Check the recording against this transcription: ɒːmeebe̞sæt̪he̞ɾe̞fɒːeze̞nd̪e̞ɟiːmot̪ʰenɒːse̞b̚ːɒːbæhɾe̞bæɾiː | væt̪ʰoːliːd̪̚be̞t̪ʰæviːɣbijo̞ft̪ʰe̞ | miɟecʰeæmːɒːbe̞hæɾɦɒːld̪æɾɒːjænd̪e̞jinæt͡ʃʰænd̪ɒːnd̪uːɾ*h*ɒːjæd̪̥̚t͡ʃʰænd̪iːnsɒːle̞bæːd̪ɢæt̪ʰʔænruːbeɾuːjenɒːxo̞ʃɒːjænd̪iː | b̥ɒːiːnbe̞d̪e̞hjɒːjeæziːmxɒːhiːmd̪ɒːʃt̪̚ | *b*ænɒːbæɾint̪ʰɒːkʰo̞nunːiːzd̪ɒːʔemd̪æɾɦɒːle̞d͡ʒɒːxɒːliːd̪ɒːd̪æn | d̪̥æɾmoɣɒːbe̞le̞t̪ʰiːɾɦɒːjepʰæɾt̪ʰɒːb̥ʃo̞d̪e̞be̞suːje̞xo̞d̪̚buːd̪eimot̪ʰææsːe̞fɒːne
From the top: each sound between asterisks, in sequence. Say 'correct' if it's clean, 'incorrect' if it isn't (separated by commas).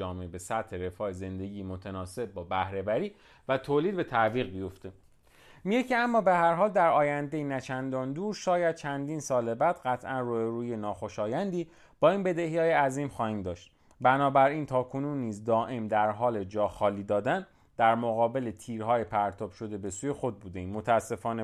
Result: incorrect, correct